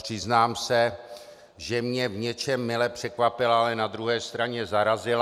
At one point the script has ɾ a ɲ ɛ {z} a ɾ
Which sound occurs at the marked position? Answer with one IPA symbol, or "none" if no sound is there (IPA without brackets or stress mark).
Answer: z